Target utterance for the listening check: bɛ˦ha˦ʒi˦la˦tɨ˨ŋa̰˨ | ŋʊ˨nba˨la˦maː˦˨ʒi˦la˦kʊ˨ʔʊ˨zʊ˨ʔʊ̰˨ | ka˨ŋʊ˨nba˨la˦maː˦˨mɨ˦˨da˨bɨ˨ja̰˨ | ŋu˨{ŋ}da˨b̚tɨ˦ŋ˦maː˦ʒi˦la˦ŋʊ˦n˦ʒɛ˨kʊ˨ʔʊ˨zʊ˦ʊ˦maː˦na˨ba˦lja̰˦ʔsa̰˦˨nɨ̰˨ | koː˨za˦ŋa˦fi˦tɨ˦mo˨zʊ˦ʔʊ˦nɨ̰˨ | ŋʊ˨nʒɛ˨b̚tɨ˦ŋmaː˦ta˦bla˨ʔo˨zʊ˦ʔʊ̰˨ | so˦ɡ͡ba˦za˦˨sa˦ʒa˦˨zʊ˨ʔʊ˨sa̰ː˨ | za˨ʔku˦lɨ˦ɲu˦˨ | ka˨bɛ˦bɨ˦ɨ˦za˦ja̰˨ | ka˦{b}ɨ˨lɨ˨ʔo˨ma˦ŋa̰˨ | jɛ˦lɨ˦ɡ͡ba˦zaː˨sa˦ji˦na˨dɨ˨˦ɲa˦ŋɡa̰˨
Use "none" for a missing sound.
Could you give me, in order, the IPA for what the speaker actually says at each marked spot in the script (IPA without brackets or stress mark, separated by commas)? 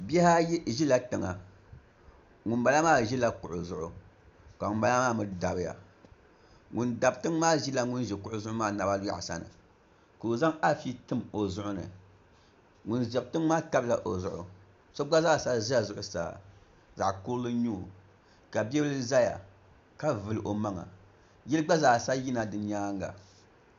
n, v